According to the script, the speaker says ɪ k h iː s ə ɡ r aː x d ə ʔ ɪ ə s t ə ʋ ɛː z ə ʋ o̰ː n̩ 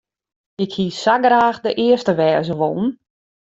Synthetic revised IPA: ɪ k h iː s a ɡ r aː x d ə ʔ ɪ ə s t ə ʋ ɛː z ə ʋ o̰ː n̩